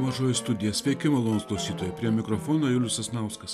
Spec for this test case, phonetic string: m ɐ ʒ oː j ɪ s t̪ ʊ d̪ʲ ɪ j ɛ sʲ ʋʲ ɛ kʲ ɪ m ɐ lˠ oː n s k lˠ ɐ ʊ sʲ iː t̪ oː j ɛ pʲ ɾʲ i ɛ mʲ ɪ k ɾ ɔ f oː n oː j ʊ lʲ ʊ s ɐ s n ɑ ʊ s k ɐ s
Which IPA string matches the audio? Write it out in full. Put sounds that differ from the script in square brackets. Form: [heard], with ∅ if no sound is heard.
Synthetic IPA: m ɐ ʒ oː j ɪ s t̪ ʊ d̪ʲ ɪ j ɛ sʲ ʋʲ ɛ kʲ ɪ m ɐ lˠ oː n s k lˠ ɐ ʊ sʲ iː t̪ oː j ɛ pʲ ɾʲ i ɛ mʲ ɪ k ɾ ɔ f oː n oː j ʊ lʲ ʊ s ɐ s n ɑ ʊ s k ɐ s